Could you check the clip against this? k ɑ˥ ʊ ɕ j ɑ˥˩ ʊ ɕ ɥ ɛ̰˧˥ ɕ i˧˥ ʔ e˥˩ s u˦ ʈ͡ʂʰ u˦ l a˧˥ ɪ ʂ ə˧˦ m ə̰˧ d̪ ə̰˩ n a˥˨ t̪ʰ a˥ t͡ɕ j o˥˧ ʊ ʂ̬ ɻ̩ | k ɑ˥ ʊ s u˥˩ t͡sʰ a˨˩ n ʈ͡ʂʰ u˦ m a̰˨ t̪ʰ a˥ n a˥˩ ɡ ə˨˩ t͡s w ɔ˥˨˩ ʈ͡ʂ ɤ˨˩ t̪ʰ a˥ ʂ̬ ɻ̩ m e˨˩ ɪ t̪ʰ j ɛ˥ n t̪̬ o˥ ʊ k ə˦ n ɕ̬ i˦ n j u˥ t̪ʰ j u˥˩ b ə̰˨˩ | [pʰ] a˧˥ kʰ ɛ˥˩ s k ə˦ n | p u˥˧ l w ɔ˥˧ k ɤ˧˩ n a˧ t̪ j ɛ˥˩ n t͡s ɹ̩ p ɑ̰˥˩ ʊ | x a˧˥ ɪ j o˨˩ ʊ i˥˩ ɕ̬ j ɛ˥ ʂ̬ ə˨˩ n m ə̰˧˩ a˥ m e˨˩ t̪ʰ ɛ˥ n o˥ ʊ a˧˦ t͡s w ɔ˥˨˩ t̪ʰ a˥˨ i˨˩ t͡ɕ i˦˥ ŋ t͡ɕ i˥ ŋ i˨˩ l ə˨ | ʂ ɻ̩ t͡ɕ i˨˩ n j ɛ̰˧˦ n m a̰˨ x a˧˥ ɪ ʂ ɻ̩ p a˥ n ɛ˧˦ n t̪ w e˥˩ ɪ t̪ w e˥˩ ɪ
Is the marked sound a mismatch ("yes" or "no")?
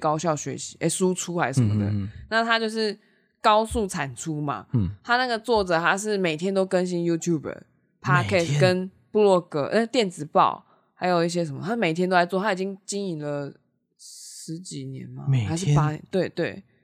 no